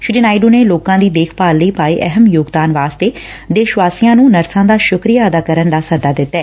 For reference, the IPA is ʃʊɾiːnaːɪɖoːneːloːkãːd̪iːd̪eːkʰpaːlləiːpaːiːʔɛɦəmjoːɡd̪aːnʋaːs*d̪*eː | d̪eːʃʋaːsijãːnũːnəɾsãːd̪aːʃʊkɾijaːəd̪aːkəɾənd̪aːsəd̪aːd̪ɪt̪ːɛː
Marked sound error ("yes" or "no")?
yes